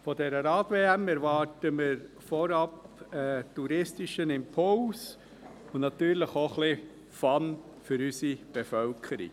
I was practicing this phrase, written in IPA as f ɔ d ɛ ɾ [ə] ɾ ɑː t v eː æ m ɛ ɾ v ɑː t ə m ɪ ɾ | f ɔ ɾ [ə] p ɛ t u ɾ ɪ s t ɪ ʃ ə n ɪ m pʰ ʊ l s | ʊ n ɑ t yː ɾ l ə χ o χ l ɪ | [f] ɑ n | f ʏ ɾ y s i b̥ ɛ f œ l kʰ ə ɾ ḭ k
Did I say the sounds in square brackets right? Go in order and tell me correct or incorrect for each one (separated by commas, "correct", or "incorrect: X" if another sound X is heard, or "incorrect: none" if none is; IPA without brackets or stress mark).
correct, incorrect: ɑ, correct